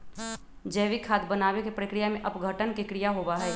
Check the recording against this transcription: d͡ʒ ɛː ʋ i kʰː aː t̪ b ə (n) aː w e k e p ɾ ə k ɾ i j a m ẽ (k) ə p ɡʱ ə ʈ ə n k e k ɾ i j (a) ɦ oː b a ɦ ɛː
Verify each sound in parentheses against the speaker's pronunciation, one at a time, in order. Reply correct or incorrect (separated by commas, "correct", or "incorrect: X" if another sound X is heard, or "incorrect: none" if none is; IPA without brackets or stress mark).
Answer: correct, incorrect: ʔ, correct